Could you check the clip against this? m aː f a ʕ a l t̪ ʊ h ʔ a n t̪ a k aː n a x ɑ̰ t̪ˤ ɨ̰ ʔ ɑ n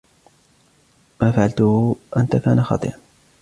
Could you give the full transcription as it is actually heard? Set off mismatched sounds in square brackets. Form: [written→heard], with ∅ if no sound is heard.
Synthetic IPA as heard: m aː f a ʕ a l t̪ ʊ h ʔ a n t̪ a k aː n a x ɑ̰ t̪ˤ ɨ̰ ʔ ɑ n